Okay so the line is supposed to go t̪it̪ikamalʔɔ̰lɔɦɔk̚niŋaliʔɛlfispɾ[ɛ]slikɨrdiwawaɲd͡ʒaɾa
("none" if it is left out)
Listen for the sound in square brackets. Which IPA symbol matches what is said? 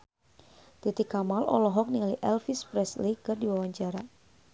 ɛ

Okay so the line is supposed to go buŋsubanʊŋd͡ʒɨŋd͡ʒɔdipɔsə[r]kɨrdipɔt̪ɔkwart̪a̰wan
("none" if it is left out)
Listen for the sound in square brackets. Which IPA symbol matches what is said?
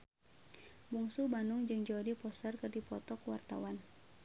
r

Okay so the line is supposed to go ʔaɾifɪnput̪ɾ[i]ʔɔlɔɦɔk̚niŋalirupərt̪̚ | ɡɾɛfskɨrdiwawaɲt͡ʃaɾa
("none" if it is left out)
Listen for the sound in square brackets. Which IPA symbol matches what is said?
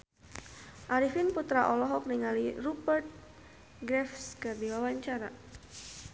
a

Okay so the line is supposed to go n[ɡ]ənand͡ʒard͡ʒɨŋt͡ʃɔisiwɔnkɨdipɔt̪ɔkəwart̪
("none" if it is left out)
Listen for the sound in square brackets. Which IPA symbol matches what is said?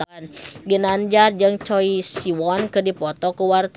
ɡ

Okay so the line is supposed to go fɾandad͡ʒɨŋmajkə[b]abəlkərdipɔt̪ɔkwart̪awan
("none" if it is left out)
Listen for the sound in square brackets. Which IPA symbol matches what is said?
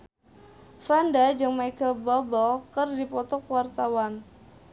b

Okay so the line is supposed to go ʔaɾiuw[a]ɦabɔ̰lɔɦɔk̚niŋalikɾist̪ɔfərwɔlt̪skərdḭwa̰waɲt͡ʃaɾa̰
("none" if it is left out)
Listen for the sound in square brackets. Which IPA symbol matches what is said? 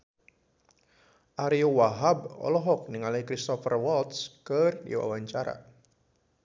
a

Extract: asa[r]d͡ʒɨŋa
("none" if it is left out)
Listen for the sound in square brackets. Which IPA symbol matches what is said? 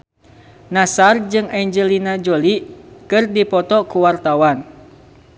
r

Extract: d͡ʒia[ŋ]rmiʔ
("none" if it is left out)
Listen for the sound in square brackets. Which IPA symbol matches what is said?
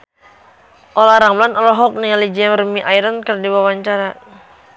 m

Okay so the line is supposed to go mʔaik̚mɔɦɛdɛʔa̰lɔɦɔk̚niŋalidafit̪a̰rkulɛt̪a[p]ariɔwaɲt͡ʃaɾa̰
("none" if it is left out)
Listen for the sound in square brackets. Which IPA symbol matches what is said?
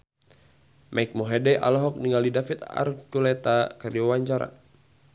k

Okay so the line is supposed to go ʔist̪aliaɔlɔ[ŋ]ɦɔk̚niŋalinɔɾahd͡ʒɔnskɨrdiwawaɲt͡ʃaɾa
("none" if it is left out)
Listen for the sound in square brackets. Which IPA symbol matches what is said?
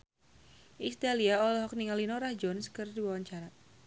none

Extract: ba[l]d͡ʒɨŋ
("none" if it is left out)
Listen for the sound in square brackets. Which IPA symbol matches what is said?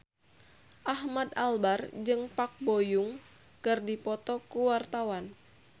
r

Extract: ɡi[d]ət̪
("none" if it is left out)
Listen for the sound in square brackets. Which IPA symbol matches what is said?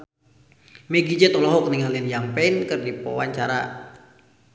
d͡ʒ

